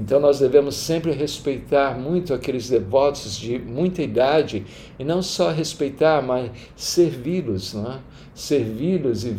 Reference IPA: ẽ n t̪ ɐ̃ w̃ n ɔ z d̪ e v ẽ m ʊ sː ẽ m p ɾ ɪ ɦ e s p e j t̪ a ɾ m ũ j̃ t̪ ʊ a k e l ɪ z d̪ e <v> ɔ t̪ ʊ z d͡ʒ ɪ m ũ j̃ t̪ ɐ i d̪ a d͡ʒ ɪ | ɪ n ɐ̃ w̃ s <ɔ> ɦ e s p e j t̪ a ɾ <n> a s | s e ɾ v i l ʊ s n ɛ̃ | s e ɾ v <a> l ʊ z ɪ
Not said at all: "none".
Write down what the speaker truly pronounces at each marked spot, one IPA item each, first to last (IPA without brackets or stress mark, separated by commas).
v, ɔ, m, i